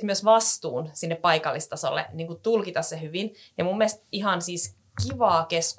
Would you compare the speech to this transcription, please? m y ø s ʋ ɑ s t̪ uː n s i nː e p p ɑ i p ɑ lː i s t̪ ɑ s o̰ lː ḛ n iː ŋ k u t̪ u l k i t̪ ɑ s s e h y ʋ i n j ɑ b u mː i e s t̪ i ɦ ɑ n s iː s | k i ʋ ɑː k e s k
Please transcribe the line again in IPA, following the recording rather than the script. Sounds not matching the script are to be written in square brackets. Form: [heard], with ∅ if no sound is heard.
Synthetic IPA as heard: m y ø s ʋ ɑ s t̪ uː n s i nː e p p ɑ i [k] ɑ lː i s t̪ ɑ s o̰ lː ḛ n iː ŋ k u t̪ u l k i t̪ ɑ s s e h y ʋ i n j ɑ [m] u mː i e s t̪ i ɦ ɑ n s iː s | k i ʋ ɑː k e s k